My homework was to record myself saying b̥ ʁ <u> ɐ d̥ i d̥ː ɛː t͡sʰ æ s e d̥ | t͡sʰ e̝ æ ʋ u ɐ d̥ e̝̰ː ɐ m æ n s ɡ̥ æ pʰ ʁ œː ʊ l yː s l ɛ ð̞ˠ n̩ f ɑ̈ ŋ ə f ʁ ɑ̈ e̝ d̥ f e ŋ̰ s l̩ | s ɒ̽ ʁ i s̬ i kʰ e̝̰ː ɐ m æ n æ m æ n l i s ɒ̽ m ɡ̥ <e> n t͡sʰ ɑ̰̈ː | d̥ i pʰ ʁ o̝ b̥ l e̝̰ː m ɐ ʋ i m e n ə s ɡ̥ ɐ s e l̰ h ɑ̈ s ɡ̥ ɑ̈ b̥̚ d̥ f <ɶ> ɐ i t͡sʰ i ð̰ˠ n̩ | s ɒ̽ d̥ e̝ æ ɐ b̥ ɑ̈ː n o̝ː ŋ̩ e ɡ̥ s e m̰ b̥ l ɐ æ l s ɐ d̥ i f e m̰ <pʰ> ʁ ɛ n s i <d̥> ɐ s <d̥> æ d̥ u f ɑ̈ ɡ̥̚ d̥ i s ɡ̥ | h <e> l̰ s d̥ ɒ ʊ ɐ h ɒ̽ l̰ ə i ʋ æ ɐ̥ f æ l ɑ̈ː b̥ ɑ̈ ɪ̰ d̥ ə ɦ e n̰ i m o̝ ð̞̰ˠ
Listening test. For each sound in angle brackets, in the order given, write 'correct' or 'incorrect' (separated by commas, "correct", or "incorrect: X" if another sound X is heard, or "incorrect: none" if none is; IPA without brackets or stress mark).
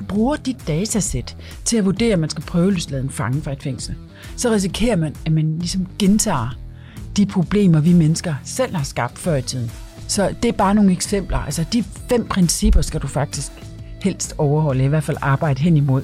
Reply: incorrect: uː, correct, correct, correct, incorrect: b̥, incorrect: ɡ̥, correct